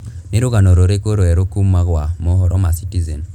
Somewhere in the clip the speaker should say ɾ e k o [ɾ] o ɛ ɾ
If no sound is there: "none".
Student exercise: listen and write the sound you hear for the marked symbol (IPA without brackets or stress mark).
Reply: ɾ